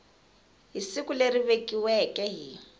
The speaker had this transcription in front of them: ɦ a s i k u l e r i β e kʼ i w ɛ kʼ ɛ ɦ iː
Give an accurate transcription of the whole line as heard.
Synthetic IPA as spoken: ɦ i s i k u l e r i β e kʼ i w ɛ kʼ ɛ ɦ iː